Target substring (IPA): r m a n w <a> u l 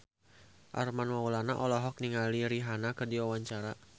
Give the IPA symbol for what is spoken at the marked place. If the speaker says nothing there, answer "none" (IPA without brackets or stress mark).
a